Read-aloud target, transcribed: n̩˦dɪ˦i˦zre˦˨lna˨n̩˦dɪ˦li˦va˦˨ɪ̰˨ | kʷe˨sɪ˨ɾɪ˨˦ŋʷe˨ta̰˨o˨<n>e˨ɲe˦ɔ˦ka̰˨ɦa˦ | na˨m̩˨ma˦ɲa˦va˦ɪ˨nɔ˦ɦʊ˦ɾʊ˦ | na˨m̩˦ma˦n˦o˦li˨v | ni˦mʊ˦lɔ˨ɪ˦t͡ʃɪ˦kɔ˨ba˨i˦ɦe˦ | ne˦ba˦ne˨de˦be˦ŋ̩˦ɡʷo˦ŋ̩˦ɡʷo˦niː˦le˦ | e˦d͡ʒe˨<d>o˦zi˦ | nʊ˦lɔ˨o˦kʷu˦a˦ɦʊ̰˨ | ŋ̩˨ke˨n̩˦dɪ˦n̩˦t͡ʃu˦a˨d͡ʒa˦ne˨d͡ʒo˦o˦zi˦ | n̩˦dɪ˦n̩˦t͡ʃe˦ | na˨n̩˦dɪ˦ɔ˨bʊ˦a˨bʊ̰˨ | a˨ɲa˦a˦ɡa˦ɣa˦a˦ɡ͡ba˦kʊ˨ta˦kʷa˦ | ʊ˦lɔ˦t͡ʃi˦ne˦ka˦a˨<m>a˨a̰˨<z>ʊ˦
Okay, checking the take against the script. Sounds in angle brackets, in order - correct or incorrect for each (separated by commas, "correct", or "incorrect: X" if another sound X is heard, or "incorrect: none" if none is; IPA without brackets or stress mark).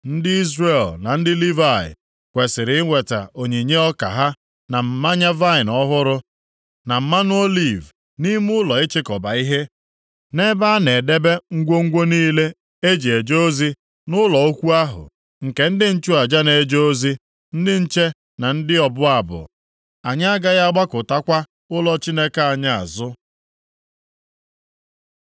incorrect: ɲ, incorrect: d͡ʒ, incorrect: ɲ, correct